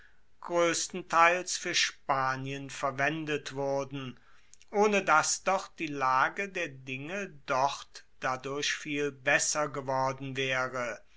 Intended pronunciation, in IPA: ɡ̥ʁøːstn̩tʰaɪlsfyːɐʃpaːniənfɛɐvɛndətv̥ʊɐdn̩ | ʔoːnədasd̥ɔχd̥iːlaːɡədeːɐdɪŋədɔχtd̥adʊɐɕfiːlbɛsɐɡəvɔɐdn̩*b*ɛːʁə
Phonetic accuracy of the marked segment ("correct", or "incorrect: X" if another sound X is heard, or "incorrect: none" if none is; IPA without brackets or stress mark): incorrect: v